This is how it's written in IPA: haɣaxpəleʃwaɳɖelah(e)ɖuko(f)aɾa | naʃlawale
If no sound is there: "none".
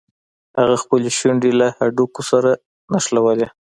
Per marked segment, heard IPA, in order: a, s

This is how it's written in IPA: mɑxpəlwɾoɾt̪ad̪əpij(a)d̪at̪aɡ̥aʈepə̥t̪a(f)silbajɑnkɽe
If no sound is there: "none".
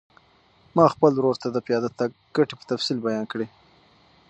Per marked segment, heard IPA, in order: ɑ, f

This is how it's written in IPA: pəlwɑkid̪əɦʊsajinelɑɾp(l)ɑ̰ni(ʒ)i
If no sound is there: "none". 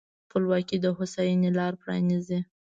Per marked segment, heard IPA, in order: ɾ, z

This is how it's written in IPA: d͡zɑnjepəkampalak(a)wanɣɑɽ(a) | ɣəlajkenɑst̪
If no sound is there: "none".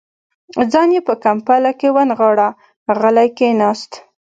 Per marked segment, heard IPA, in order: e, a

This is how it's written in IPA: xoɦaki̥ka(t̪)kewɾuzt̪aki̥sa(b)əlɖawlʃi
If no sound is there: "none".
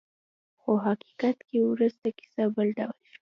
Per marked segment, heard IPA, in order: t̪, b

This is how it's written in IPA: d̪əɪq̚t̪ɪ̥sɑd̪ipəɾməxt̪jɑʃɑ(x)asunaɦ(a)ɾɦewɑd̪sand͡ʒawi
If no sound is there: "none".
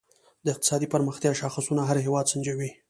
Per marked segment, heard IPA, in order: x, a

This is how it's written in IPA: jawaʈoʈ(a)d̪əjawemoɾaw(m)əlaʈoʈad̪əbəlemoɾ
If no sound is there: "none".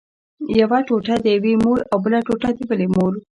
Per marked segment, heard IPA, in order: a, b

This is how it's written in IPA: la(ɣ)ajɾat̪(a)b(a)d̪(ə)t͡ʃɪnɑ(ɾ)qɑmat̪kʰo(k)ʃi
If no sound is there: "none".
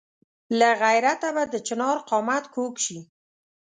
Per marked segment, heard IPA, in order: ɣ, a, a, ə, ɾ, k

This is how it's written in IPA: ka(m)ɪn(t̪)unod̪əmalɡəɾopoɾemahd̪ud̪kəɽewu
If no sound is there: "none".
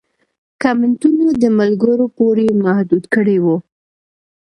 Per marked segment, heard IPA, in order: m, t̪

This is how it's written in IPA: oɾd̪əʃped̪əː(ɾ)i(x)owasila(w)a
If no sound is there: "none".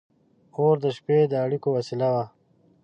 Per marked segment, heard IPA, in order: ɽ, k, w

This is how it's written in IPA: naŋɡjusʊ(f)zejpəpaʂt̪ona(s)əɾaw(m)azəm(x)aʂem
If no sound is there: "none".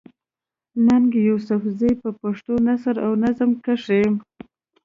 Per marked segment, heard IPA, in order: f, s, n, k

